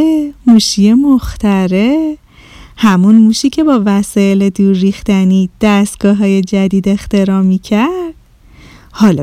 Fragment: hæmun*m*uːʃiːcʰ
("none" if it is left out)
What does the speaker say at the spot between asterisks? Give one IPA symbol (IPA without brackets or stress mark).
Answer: m